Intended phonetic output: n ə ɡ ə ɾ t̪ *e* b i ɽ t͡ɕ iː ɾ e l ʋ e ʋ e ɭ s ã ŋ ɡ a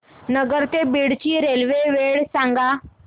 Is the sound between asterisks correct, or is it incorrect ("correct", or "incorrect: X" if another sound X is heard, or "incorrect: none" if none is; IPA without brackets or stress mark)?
correct